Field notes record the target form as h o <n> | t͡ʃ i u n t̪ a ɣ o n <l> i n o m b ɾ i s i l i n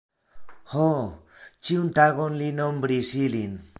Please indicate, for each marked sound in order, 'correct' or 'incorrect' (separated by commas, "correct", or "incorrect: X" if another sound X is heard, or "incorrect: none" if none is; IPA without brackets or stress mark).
incorrect: none, correct